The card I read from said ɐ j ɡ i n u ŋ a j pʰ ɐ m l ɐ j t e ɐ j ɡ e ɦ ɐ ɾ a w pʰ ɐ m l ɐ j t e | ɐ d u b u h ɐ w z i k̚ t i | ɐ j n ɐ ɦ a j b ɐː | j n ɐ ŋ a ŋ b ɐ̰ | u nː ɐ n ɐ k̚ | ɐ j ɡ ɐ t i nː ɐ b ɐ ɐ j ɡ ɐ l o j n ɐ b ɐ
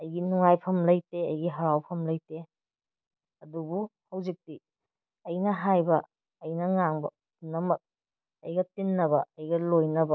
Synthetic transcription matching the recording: ɐ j ɡ i n u ŋ a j pʰ ɐ m l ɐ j t e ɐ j ɡ i ɦ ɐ ɾ a w pʰ ɐ m l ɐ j t e | ɐ d u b u h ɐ w z i k̚ t i | ɐ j n ɐ ɦ a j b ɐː | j n ɐ ŋ a ŋ b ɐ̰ | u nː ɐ m ɐ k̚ | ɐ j ɡ ɐ t i nː ɐ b ɐ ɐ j ɡ ɐ l o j n ɐ b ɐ